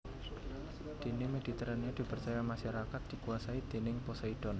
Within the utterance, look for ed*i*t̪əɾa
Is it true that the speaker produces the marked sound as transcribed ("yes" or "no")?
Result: yes